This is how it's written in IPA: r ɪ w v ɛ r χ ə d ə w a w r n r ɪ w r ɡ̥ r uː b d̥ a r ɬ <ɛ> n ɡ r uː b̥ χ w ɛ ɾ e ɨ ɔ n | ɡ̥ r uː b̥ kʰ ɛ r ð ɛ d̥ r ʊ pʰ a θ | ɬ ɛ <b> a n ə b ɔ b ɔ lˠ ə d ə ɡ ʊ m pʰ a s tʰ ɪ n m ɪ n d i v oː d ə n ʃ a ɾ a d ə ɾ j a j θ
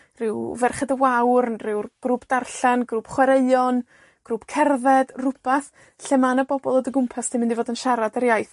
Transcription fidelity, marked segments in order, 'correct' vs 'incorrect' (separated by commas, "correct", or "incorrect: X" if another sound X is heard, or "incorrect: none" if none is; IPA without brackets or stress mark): incorrect: a, incorrect: m